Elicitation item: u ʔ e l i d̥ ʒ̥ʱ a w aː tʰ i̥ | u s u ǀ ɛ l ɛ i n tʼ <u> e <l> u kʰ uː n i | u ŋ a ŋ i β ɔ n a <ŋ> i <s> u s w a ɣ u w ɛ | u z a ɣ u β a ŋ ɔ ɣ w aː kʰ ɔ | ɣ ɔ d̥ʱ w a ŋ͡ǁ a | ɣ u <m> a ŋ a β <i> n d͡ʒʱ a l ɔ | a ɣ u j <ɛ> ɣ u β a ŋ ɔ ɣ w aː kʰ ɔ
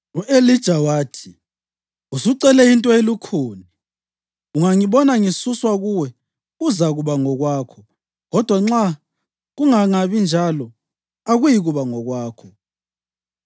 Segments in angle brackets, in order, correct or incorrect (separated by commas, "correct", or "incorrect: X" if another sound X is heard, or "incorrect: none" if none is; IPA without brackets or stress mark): incorrect: ɔ, correct, correct, correct, incorrect: ŋ, correct, incorrect: i